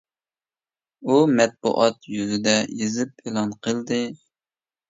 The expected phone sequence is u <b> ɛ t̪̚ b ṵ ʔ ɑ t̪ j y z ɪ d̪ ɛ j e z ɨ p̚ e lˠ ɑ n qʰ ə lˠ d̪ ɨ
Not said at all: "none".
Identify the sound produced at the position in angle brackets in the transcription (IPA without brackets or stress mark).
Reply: m